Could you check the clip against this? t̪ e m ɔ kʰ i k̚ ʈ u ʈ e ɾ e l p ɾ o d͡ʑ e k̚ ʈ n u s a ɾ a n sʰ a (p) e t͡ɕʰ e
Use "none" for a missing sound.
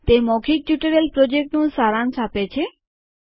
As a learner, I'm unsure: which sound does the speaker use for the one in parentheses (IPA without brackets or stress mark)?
p